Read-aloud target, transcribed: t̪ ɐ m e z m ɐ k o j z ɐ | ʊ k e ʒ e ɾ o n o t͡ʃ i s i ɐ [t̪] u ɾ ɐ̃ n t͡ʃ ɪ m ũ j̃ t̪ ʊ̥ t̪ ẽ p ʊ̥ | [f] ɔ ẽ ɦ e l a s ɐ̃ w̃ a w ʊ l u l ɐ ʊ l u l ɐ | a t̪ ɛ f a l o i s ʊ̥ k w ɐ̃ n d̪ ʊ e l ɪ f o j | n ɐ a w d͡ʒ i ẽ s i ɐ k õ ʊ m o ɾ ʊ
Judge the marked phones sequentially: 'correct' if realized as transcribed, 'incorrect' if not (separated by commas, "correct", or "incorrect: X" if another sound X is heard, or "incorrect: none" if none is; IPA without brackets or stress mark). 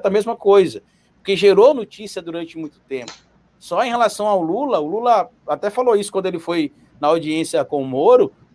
incorrect: d̪, incorrect: s